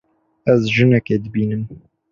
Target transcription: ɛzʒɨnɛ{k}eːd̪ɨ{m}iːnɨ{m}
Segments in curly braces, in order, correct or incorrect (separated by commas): correct, incorrect, correct